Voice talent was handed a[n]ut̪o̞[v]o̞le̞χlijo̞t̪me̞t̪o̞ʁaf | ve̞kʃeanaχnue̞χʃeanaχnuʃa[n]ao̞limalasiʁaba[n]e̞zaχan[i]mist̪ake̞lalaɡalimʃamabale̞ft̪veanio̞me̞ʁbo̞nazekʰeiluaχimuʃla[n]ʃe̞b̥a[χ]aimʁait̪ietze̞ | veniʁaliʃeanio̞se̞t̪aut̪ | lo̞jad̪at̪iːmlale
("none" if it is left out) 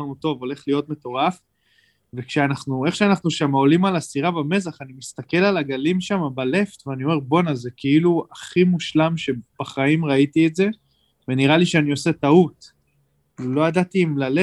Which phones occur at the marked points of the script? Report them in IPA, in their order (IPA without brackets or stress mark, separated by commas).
n, v, m, m, i, m, χ